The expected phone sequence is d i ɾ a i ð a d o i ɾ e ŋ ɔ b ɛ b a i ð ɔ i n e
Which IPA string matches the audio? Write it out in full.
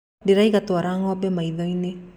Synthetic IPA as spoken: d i ɾ a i ɣ a t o a ɾ a ŋ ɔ b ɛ m a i ð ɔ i n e